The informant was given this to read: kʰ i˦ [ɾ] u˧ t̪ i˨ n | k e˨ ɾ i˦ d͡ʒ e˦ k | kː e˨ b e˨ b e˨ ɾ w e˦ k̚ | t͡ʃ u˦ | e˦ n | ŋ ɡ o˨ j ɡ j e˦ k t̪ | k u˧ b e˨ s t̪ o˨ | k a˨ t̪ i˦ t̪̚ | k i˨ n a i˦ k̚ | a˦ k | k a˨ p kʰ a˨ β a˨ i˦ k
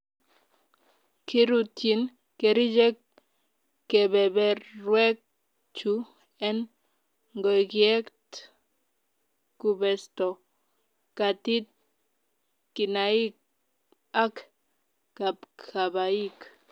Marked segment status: correct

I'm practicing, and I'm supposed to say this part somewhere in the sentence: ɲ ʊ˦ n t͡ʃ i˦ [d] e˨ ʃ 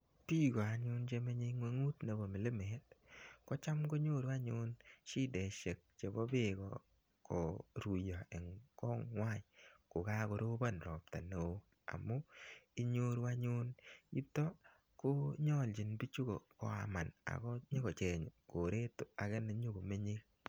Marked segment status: correct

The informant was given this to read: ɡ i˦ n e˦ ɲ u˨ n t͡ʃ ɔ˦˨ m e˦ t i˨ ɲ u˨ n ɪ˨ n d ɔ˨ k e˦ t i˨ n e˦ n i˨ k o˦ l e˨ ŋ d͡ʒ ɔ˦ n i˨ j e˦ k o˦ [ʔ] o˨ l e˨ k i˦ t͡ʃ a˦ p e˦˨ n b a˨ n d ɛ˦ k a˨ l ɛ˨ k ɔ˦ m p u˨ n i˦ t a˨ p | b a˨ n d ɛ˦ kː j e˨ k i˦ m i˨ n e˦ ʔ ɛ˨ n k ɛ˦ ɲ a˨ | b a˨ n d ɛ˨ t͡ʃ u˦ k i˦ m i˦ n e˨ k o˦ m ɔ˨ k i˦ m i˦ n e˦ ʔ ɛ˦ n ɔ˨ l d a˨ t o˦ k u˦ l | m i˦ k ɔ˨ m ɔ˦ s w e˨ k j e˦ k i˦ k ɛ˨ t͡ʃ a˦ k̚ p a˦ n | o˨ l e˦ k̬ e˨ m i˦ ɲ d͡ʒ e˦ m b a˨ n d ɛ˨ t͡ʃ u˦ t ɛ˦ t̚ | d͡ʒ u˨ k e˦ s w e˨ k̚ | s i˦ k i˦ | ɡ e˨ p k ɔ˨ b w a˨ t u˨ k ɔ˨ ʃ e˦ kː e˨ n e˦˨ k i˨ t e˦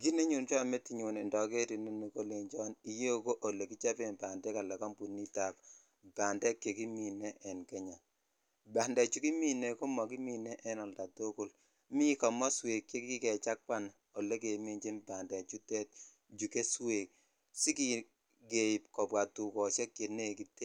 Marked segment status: correct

